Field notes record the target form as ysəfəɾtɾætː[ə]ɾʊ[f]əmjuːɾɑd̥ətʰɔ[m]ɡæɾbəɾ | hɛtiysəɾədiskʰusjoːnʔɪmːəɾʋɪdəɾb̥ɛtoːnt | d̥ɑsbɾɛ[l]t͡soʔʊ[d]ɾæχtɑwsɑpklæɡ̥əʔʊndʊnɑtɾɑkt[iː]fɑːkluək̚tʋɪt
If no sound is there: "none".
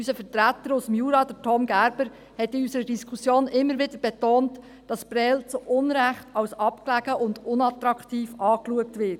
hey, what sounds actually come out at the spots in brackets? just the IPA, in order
ə, s, m, l, n, iː

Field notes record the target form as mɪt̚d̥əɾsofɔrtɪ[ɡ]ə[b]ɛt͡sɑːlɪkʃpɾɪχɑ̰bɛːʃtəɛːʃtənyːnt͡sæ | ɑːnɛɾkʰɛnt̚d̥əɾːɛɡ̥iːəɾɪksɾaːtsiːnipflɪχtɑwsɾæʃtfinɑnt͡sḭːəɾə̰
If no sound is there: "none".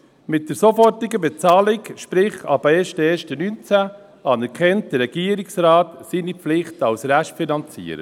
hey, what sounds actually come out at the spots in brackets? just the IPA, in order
ɡ, b

